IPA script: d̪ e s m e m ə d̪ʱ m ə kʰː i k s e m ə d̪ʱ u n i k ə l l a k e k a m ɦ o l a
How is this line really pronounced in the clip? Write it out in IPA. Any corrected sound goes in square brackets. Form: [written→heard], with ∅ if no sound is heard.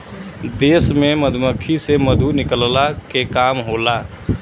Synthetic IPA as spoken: d̪ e s m e m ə d̪ʱ m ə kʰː i [k→∅] s e m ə d̪ʱ u n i k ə l l a k e k a m ɦ o l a